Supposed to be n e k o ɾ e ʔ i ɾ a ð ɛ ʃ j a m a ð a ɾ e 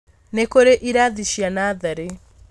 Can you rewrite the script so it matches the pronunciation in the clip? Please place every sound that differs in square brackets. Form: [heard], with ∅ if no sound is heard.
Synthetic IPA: n e k o ɾ e ʔ i ɾ a ð [i] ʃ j a [n] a ð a ɾ e